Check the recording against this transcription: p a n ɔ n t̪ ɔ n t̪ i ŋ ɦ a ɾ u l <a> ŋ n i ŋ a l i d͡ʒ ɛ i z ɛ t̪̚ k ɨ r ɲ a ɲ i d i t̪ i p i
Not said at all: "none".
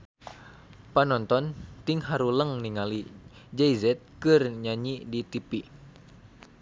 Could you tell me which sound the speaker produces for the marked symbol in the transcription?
ə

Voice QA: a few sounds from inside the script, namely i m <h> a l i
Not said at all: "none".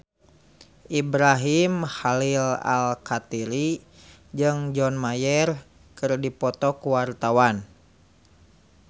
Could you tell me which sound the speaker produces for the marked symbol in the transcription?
h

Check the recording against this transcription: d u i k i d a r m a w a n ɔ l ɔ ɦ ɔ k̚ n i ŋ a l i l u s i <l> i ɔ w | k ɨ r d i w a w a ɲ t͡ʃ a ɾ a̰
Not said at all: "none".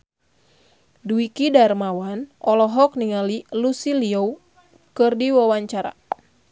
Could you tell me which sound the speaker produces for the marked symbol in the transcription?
l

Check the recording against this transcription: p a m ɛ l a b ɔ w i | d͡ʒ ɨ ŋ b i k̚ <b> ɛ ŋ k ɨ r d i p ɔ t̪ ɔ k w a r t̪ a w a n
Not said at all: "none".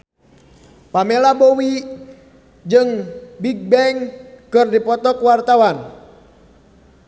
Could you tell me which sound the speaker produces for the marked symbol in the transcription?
b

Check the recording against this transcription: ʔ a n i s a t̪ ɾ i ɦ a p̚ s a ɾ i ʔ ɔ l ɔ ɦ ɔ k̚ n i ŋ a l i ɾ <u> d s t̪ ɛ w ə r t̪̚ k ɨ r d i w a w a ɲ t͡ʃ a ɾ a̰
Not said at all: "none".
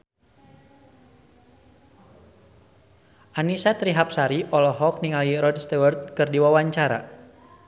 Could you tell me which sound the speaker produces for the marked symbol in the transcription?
ɔ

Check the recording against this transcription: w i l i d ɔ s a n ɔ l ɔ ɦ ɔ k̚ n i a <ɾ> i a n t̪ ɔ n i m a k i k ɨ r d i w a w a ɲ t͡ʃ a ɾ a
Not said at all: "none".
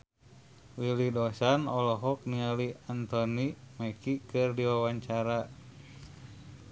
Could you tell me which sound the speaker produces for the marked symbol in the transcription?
l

